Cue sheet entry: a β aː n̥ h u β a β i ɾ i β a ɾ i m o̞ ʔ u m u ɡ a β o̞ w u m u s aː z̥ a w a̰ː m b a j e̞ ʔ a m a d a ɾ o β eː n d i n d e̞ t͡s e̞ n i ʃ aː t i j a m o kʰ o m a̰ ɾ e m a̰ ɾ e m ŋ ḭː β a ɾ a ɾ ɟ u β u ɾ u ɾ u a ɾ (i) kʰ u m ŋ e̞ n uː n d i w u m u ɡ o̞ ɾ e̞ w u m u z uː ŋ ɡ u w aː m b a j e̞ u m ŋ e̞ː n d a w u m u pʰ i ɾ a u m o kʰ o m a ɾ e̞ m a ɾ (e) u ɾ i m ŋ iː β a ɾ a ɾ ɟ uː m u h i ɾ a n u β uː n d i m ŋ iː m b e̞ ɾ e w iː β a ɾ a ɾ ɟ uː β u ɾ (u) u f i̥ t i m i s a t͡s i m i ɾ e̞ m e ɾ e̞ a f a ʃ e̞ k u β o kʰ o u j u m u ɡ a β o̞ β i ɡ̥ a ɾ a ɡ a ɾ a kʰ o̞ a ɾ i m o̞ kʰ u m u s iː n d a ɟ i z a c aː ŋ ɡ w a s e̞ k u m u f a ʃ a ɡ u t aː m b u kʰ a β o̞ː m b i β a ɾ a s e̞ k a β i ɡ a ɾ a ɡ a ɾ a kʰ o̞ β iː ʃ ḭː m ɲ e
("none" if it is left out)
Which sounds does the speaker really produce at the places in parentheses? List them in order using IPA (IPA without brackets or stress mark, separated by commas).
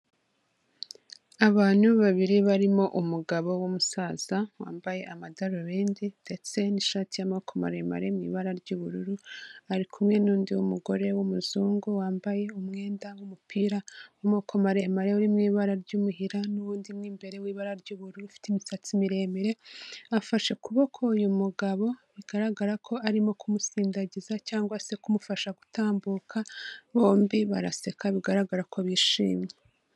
i, e, u